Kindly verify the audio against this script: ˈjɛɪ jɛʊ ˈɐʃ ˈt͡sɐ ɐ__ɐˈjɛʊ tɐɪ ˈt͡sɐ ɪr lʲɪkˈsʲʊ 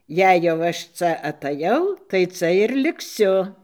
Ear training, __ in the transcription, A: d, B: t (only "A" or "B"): B